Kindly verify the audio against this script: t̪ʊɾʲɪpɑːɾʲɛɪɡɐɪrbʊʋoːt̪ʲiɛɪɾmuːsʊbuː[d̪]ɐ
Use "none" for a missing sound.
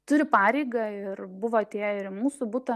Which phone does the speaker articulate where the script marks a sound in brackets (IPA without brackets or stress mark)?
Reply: t̪